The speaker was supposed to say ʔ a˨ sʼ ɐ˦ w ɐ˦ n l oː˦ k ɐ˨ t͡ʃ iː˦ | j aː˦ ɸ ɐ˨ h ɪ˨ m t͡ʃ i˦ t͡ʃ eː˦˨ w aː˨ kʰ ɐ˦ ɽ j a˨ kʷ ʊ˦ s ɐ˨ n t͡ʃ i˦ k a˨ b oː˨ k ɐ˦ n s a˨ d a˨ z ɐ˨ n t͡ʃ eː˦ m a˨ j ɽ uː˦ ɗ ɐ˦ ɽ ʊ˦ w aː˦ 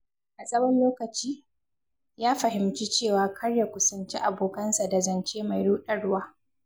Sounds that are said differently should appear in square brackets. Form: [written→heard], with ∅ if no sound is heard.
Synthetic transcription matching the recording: ʔ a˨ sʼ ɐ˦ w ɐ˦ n l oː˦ k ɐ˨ t͡ʃ iː˦ | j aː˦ ɸ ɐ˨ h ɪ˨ m t͡ʃ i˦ t͡ʃ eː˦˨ w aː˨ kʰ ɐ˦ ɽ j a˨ kʷ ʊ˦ s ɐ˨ n t͡ʃ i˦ [k→ʔ] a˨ b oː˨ k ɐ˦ n s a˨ d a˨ z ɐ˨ n t͡ʃ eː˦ m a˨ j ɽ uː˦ ɗ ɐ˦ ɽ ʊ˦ w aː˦